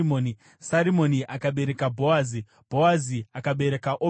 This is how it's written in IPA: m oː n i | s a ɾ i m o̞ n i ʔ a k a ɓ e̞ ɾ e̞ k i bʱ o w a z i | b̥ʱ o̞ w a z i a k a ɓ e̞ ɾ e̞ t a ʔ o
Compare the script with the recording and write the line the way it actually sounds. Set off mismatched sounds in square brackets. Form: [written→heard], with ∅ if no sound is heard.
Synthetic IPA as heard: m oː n i | s a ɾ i m o̞ n i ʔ a k a ɓ e̞ ɾ e̞ k [i→a] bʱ o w a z i | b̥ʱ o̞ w a z i a k a ɓ e̞ ɾ e̞ [t→k] a ʔ o